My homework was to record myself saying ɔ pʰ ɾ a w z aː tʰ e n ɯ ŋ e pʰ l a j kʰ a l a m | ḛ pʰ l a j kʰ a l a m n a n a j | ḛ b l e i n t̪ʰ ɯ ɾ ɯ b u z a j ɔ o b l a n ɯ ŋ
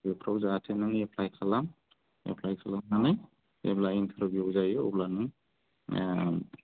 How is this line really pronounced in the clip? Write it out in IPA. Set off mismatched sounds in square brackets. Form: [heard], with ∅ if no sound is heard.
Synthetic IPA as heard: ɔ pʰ ɾ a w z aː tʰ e n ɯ ŋ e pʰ l a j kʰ a l a m | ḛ pʰ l a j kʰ a l a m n a n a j | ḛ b l [a] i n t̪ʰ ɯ ɾ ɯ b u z a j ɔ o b l a n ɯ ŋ